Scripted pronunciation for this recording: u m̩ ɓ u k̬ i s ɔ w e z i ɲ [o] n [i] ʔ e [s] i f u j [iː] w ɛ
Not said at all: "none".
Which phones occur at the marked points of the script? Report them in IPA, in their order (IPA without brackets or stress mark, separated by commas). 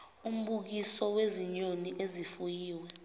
o, i, z, iː